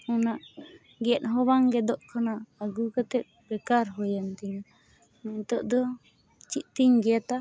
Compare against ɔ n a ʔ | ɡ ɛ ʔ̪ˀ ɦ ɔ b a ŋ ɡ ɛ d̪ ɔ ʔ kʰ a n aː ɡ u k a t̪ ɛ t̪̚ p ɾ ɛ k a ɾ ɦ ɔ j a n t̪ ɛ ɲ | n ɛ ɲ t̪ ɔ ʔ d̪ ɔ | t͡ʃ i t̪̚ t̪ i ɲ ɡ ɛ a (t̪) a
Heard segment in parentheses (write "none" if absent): t̪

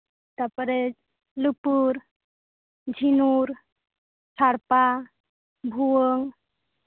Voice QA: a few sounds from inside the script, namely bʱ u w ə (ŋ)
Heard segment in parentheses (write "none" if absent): ŋ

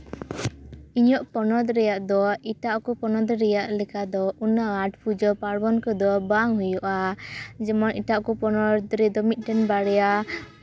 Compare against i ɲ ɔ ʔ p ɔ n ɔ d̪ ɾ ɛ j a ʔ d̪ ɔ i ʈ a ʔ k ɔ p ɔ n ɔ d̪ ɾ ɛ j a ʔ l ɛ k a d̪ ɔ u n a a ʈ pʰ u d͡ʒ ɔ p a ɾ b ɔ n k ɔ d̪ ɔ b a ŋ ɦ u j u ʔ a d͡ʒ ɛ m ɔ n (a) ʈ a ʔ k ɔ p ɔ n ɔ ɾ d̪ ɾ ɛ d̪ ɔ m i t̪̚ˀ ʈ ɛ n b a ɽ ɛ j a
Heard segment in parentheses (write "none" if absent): i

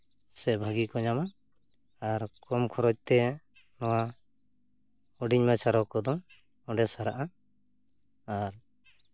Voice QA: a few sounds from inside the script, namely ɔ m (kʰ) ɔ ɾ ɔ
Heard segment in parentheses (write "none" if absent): kʰ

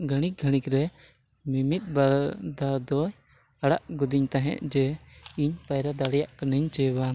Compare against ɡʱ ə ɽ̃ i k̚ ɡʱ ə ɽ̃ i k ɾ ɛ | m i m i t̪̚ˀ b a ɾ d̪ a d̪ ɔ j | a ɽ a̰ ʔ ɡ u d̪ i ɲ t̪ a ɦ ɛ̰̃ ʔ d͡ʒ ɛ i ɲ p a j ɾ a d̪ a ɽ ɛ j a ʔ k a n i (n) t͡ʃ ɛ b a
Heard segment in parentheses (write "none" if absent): ɲ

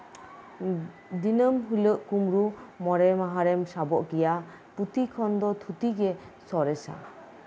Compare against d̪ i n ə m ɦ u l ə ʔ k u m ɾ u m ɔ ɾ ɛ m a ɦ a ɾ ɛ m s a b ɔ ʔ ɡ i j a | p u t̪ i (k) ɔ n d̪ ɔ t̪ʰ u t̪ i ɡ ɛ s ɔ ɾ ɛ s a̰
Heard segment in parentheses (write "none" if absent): kʰ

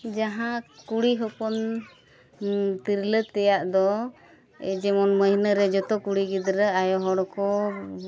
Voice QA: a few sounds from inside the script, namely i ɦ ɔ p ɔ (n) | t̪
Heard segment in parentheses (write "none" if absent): n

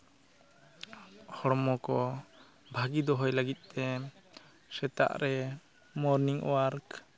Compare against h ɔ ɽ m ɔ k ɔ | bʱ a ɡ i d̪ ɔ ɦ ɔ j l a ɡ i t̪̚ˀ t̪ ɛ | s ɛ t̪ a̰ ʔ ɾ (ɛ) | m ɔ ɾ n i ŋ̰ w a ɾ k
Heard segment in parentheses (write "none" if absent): ɛ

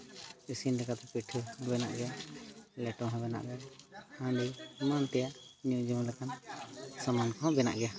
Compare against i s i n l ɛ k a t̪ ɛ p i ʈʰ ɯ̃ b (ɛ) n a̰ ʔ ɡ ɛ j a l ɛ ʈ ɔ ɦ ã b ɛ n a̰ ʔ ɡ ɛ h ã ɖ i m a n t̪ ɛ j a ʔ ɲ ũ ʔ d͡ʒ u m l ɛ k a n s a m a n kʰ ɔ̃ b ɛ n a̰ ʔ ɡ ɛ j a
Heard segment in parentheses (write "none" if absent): ɛ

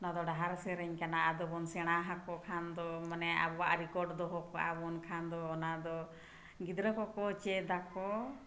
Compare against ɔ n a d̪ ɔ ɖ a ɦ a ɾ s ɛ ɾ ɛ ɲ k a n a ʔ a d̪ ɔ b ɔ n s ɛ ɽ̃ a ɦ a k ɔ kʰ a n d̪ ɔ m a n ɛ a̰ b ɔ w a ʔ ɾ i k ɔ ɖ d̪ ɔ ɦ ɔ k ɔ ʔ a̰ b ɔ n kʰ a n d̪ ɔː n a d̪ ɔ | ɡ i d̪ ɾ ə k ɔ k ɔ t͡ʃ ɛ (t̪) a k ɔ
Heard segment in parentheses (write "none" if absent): d̪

